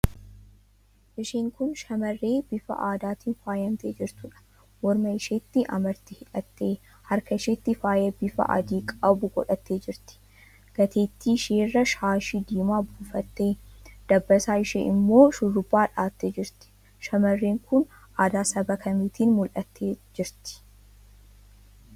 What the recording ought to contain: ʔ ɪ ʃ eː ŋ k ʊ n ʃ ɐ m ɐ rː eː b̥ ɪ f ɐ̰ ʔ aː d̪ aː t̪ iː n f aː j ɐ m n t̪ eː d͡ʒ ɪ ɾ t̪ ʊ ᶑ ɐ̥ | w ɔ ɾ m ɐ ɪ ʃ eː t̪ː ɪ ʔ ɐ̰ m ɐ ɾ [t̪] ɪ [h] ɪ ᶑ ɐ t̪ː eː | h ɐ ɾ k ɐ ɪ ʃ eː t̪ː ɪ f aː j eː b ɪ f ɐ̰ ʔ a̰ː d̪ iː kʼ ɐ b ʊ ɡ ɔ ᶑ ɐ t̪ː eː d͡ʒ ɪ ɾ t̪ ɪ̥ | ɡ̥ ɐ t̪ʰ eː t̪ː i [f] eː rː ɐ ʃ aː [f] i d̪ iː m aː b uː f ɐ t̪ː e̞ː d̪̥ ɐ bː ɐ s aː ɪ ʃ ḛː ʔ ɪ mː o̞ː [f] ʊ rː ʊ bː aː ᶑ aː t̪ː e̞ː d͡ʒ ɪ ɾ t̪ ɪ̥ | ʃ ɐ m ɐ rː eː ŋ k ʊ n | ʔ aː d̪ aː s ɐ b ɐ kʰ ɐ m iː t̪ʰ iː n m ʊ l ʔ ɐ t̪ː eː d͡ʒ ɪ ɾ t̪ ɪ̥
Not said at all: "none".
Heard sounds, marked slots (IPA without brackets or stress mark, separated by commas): t̪, h, ʃ, ʃ, ʃ